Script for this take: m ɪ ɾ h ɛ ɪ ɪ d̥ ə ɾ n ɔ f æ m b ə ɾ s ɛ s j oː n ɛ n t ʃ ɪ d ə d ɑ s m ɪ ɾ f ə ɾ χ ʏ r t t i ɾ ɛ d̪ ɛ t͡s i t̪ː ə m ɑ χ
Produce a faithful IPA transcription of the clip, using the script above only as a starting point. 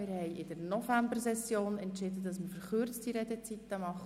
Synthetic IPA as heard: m ɪ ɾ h ɛ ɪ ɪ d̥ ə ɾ n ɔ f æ m b ə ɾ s ɛ s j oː n ɛ n t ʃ ɪ d ə d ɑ s m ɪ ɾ f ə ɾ χ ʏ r t͡s t i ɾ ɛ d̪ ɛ t͡s i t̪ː ə m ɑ χ

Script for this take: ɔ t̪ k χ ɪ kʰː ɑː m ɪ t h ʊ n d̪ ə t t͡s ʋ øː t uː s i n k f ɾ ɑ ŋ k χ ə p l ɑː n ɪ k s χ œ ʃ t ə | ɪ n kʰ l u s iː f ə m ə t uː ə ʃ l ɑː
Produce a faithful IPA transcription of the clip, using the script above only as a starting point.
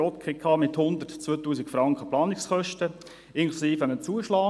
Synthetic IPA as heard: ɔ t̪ k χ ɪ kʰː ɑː m ɪ t h ʊ n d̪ ə t t͡s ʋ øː t uː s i k f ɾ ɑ ŋ k χ ə p l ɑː n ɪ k s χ œ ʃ t ə | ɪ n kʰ l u s iː f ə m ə t͡s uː ə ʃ l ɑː

